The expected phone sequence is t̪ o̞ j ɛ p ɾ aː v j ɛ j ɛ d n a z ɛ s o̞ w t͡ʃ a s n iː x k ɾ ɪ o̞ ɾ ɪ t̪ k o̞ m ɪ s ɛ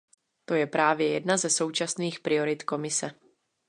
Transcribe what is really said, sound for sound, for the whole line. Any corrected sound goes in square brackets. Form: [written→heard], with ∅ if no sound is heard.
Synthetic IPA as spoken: t̪ o̞ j ɛ p ɾ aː v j ɛ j ɛ d n a z ɛ s o̞ w t͡ʃ a s n iː x [k→p] ɾ ɪ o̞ ɾ ɪ t̪ k o̞ m ɪ s ɛ